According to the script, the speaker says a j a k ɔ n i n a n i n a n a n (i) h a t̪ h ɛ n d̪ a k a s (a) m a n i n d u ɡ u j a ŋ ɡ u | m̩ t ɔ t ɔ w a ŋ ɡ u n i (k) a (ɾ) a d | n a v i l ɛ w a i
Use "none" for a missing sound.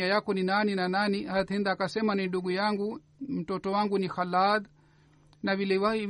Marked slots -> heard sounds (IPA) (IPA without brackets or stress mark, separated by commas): i, ɛ, x, l